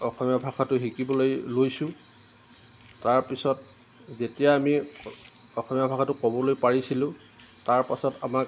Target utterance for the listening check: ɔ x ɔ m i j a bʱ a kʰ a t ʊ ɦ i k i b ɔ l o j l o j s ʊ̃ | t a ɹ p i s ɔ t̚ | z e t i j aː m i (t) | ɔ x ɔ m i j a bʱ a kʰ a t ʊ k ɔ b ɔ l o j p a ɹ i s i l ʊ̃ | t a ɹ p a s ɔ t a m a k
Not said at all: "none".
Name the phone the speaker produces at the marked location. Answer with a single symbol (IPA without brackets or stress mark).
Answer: none